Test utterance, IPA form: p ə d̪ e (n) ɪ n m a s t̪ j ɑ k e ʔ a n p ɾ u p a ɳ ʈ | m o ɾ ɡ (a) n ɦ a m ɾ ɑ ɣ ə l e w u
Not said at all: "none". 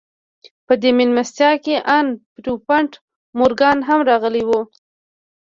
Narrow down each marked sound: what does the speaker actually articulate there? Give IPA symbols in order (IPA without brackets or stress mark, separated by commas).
m, ɑ